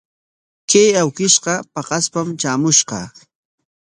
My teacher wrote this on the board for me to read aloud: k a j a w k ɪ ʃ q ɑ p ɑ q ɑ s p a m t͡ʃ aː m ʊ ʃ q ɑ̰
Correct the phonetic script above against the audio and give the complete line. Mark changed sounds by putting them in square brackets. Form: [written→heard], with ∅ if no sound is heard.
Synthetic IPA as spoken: k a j a w k ɪ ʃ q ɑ p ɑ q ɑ s p a m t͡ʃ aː m ʊ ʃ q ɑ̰